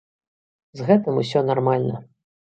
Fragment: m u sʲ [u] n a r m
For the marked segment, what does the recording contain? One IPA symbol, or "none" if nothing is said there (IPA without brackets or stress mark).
ɔ